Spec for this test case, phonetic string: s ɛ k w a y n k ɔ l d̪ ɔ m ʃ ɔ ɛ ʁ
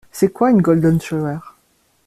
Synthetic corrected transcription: s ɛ k w a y n ɡ ɔ l d̪ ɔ n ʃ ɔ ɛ ʁ